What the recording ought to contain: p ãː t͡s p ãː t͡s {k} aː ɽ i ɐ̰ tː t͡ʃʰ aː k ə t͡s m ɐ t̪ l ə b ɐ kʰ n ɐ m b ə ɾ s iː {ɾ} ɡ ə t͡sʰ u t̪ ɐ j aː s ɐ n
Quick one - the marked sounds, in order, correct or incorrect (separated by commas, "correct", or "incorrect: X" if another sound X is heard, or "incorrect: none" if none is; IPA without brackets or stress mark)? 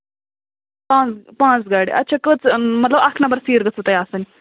incorrect: ɡ, correct